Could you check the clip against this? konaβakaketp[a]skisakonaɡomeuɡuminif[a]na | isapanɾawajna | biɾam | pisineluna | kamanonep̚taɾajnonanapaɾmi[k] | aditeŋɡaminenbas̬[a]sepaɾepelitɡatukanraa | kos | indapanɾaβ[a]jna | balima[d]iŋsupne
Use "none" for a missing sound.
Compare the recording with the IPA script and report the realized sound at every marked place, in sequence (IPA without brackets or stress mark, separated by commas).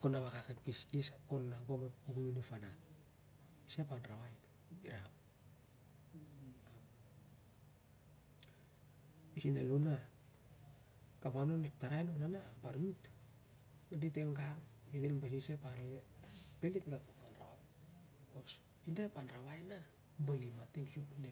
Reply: i, a, t, i, a, t